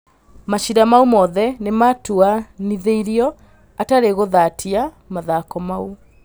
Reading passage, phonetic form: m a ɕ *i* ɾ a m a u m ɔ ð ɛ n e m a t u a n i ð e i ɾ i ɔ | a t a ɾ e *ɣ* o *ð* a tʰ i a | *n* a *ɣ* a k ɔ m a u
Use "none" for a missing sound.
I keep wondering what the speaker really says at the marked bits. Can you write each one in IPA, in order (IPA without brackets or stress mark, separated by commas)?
i, ɣ, ð, m, ð